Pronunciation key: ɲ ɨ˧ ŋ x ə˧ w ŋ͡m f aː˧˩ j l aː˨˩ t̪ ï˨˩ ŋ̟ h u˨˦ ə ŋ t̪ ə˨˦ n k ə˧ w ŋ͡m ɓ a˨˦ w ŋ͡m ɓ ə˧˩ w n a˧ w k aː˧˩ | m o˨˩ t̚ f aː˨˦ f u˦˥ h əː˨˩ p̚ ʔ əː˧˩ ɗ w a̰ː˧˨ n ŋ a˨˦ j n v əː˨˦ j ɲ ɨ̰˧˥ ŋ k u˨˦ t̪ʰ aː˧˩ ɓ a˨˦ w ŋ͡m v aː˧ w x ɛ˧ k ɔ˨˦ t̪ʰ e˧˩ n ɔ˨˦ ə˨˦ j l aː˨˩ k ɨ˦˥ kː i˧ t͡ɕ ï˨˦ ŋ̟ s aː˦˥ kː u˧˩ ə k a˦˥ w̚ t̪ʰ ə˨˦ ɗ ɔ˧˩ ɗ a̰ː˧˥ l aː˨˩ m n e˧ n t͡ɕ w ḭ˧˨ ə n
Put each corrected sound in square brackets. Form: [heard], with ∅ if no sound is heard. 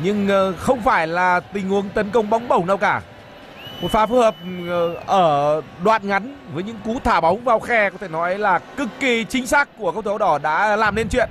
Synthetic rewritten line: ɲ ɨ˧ ŋ x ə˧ w ŋ͡m f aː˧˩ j l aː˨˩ t̪ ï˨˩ ŋ̟ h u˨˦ ə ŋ t̪ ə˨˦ n k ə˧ w ŋ͡m ɓ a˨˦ w ŋ͡m ɓ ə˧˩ w n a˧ w k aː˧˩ | m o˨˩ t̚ f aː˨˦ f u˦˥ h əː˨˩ p̚ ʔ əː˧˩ ɗ w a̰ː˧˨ n ŋ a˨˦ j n v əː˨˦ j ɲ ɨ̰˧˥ ŋ k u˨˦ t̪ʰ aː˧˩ ɓ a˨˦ w ŋ͡m v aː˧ w x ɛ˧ k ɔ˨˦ t̪ʰ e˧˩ n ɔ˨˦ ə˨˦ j l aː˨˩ k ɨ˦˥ kː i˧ t͡ɕ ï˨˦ ŋ̟ s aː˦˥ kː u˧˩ ə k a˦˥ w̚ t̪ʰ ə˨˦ ɗ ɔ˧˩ ɗ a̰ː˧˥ l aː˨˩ m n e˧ n t͡ɕ w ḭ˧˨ ə n